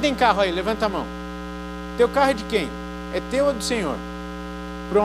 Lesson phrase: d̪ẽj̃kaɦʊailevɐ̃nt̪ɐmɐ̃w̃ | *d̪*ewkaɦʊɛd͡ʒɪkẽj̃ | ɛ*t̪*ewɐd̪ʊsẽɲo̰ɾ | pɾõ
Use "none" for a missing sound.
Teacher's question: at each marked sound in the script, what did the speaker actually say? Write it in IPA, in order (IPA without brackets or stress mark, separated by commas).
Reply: t̪, t̪